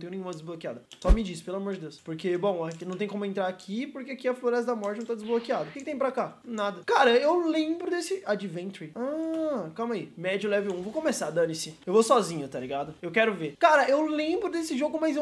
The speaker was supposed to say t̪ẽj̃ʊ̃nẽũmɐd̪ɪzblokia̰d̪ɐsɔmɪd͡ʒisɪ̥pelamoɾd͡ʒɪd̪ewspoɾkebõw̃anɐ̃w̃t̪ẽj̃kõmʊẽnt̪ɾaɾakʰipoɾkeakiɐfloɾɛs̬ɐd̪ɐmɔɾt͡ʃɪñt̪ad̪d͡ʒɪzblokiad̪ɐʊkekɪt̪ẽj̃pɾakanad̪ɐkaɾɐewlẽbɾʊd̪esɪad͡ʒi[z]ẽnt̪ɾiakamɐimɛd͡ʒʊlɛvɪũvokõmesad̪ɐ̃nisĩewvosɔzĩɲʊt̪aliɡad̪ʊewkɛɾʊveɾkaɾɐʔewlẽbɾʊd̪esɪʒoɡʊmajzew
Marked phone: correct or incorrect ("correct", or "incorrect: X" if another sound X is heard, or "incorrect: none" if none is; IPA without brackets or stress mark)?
incorrect: v